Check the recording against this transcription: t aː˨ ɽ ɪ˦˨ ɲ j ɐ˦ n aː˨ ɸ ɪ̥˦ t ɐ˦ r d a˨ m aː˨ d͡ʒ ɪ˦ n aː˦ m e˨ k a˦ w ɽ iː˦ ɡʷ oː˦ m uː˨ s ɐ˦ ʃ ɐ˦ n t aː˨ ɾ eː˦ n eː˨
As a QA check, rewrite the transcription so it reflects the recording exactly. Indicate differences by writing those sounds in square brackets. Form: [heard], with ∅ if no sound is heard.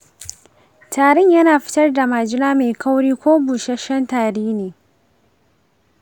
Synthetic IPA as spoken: t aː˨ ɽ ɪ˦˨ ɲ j ɐ˦ n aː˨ ɸ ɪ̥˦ t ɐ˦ r d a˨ m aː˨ d͡ʒ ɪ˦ n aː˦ m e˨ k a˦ w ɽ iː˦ [kʷ] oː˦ [b] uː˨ [ʃ] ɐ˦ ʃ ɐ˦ n t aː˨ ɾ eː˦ n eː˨